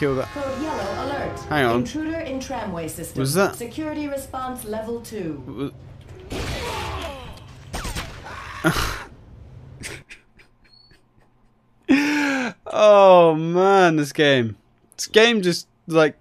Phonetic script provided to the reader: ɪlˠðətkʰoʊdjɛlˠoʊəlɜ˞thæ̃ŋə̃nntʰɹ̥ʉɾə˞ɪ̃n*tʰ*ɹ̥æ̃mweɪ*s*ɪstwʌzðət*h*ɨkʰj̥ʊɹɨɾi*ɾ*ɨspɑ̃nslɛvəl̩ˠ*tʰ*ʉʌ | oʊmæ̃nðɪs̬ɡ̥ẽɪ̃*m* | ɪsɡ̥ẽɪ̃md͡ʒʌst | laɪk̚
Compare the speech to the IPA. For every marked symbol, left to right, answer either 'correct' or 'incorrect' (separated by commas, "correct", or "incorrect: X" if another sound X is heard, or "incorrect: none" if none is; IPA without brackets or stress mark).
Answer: correct, correct, incorrect: s, incorrect: ɹ, correct, correct